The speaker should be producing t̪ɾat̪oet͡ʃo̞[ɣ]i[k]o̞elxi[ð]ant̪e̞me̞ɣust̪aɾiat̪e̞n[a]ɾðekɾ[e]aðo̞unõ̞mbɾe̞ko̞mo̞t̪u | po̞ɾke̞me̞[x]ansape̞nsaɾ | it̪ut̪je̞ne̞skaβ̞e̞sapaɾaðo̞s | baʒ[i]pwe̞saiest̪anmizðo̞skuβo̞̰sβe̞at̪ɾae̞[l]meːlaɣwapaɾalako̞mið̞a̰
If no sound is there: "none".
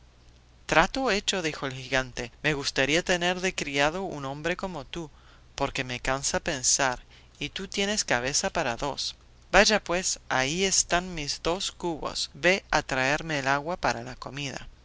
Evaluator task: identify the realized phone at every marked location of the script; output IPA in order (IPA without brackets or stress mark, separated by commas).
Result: ð, x, ɣ, e, i, k, a, ɾ